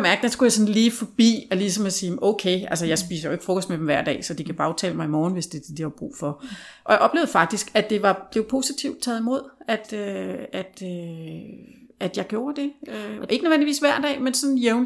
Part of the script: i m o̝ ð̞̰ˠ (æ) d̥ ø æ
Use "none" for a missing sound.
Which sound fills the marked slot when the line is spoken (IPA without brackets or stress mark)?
æ